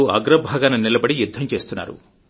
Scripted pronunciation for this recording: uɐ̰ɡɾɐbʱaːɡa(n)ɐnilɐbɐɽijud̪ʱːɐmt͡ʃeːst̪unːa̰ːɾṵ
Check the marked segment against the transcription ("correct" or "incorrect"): correct